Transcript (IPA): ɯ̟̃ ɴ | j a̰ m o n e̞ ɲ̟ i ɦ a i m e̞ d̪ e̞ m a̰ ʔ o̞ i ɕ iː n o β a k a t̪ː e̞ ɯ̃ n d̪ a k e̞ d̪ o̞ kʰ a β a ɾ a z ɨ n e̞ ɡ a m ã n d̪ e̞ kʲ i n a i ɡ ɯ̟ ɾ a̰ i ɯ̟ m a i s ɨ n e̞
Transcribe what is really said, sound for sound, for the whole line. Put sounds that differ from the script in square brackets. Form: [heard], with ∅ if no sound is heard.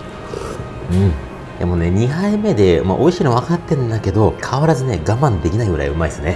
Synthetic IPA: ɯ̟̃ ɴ | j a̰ m o n e̞ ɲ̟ i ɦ a i m e̞ d̪ e̞ m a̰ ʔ o̞ i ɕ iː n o β a k a t̪ː e̞ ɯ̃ n d̪ a k e̞ d̪ o̞ kʰ a β a ɾ a z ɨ n e̞ ɡ a m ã n d̪ e̞ kʲ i n a i ɡ ɯ̟ ɾ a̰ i ɯ̟ m a i s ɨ n e̞